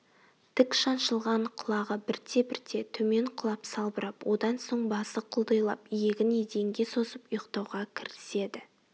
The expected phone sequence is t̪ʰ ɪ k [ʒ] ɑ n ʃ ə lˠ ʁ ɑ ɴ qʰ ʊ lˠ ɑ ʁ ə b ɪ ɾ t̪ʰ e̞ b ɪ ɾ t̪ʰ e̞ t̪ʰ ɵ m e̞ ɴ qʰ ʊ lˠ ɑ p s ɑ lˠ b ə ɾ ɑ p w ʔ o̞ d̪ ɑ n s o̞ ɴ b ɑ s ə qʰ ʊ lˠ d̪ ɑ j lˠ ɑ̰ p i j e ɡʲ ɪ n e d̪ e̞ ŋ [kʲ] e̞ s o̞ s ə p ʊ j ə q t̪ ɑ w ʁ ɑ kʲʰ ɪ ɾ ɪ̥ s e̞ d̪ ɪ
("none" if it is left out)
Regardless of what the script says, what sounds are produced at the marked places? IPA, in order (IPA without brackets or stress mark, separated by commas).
ʃ, ɡʲ